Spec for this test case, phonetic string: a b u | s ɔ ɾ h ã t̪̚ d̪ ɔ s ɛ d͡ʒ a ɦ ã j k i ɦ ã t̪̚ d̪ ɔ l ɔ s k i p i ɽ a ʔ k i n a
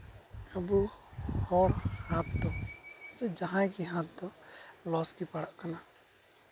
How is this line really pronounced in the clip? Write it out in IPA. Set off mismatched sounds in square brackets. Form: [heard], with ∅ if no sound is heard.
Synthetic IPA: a b u | [h] ɔ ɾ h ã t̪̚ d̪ ɔ s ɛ d͡ʒ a ɦ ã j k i ɦ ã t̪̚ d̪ ɔ l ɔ s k i p [a] ɽ a ʔ k [a] n a